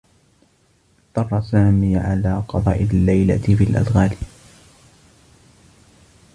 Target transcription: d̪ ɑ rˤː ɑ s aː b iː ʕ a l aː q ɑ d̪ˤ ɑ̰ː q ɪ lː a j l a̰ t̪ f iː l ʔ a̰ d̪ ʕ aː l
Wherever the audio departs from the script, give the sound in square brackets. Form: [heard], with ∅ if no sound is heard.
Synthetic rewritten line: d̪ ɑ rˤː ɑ s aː [m] iː ʕ a l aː q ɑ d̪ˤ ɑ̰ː [ʔ] ɪ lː a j l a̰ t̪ f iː l ʔ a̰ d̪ [ɣ] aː l